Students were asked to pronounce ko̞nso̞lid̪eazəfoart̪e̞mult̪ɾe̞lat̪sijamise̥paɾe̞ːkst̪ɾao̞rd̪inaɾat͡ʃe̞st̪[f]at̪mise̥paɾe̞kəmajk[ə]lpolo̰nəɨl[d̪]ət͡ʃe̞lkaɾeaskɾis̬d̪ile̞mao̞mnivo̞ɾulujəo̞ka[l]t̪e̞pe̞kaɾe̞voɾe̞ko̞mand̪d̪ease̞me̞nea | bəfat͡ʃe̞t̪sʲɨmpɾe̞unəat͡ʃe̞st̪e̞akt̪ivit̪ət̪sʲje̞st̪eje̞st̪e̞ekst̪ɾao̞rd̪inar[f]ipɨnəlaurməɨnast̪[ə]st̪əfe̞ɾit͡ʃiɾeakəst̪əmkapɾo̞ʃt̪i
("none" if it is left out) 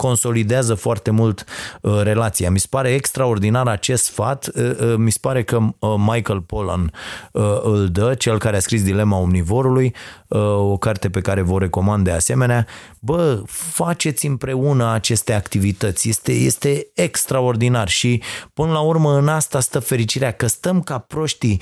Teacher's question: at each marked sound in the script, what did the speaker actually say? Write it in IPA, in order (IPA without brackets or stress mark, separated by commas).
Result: f, ə, d̪, r, ʃ, a